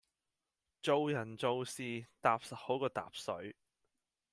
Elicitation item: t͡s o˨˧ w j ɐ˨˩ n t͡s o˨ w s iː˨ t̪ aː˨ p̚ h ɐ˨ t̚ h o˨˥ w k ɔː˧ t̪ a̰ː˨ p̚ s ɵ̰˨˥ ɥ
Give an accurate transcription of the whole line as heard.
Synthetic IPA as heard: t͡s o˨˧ w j ɐ˨˩ n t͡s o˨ w s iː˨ t̪ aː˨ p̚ s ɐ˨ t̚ h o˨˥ w k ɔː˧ t̪ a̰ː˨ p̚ s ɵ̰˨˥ ɥ